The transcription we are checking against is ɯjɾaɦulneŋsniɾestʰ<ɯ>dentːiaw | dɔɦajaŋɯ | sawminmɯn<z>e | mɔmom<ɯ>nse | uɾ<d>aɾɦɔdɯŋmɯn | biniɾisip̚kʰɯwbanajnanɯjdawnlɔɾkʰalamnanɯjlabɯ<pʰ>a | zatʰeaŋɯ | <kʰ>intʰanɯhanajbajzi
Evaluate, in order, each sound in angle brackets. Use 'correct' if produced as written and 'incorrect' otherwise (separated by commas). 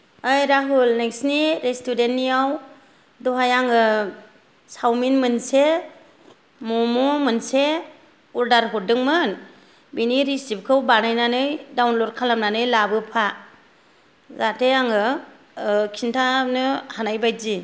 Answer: incorrect, incorrect, correct, correct, correct, correct